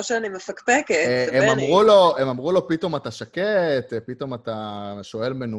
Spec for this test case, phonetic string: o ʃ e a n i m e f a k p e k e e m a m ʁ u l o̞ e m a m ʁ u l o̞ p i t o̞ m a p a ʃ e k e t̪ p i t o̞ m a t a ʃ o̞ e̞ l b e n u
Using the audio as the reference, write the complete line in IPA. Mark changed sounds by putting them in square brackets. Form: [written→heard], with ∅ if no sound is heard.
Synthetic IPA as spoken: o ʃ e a n i m e f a k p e k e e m a m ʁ u l o̞ e m a m ʁ u l o̞ p i t o̞ m a [p→t] a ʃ [e→a] k e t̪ p i t o̞ m a t a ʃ o̞ e̞ l [b→m] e n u